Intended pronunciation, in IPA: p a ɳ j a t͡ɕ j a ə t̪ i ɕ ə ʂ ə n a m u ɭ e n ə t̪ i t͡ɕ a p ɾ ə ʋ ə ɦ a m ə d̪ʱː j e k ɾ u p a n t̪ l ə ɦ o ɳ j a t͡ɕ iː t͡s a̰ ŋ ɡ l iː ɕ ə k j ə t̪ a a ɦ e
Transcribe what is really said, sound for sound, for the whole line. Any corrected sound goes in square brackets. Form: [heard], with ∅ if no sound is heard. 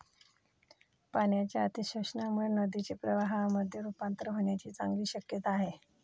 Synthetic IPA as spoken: p a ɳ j a t͡ɕ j a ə t̪ i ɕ ə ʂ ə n a m u ɭ e n ə [d̪] i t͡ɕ [e] p ɾ ə ʋ [a] ɦ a m ə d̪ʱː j e [∅] ɾ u p a n t̪ [ɾ] ə ɦ o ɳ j a t͡ɕ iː t͡s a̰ ŋ ɡ l iː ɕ ə k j ə t̪ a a ɦ e